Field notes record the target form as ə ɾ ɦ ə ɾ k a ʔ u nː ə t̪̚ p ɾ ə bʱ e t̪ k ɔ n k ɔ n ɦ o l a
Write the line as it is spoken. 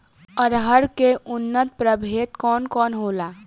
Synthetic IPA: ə ɾ ɦ ə ɾ k e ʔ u nː ə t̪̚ p ɾ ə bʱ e t̪ k ɔ n k ɔ n ɦ o l a

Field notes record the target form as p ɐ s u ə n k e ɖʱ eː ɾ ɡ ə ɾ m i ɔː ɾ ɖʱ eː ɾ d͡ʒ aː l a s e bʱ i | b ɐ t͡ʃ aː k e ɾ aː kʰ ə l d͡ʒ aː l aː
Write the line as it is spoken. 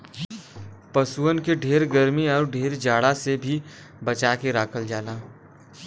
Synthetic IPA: p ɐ s u ə n k e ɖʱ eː ɾ ɡ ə ɾ m i ɔː ɾ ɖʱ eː ɾ d͡ʒ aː ɽ a s e bʱ i | b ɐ t͡ʃ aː k e ɾ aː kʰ ə l d͡ʒ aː l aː

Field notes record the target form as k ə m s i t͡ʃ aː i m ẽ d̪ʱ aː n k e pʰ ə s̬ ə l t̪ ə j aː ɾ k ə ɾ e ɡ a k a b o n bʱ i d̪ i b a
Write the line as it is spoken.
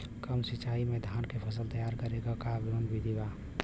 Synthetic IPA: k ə m s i t͡ʃ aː i m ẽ d̪ʱ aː n k e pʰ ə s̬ ə l t̪ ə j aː ɾ k ə ɾ e ɡ a k a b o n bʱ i d̪ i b a

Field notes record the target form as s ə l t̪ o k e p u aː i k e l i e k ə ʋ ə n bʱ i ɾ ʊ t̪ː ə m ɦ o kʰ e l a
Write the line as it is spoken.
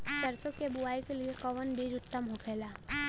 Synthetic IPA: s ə ɾ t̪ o k e b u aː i k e l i e k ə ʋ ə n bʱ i ɾ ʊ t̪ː ə m ɦ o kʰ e l a

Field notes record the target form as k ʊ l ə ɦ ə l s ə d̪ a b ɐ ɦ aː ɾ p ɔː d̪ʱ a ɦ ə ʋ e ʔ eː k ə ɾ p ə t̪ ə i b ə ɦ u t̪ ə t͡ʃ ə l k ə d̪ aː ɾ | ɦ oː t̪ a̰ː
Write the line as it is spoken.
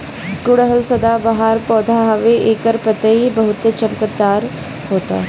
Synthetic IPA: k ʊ ɽ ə ɦ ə l s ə d̪ a b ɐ ɦ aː ɾ p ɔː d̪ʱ a ɦ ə ʋ e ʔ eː k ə ɾ p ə t̪ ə i b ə ɦ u t̪ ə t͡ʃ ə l k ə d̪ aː ɾ | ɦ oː t̪ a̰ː

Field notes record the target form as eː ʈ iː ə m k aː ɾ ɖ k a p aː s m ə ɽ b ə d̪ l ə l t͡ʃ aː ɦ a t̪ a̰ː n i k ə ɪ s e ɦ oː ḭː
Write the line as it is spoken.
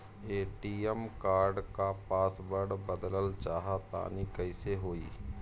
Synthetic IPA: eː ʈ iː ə m k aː ɾ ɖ k a p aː s b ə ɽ b ə d̪ l ə l t͡ʃ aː ɦ a t̪ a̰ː n i k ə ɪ s e ɦ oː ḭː

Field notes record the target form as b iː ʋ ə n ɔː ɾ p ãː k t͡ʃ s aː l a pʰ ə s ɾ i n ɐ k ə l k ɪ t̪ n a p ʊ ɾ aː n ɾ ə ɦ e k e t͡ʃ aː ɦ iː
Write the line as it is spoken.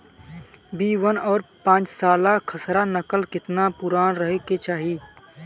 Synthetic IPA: b iː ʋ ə n ɔː ɾ p ãː t͡ʃ s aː l a kʰ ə s ɾ a n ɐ k ə l k ɪ t̪ n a p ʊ ɾ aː n ɾ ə ɦ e k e t͡ʃ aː ɦ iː

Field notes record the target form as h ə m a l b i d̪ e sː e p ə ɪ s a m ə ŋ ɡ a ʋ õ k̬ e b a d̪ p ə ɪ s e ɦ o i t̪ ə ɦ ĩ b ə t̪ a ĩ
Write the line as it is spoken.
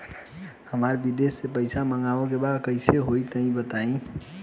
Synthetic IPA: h ə m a ɾ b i d̪ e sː e p ə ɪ s a m ə ŋ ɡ a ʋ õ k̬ e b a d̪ k ə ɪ s e ɦ o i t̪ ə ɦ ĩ b ə t̪ a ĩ

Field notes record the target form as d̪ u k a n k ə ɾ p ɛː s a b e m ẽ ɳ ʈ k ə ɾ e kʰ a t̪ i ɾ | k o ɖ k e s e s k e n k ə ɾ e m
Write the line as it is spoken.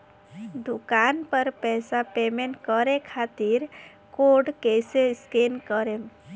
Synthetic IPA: d̪ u k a n p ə ɾ p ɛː s a p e m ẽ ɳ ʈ k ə ɾ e kʰ a t̪ i ɾ | k o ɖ k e s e s k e n k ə ɾ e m

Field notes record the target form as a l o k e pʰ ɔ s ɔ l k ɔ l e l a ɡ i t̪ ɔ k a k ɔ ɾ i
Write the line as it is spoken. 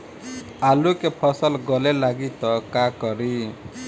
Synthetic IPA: a l u k e pʰ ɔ s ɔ l ɡ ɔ l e l a ɡ i t̪ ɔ k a k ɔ ɾ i

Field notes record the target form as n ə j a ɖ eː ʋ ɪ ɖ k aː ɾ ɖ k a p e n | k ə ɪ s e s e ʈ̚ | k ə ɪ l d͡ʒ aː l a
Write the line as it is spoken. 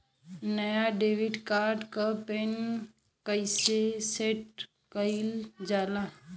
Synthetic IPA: n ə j a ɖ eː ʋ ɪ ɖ k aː ɾ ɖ k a p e n | k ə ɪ s e s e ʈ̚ | k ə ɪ l d͡ʒ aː l a

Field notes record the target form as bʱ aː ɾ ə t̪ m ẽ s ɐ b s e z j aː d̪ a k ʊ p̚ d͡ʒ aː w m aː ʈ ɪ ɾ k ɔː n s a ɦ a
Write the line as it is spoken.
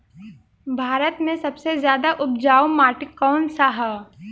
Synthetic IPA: bʱ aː ɾ ə t̪ m ẽ s ɐ b s e z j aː d̪ a ʔ ʊ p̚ d͡ʒ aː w m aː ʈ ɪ k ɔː n s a ɦ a

